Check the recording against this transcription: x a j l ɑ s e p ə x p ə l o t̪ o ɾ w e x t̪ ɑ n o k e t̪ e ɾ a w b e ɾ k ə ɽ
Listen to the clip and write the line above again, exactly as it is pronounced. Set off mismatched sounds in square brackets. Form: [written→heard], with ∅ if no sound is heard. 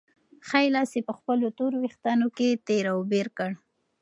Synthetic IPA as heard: x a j l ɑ s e p ə x p ə l o t̪ o ɾ w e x t̪ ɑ n o k e t̪ e ɾ a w b e ɾ k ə ɽ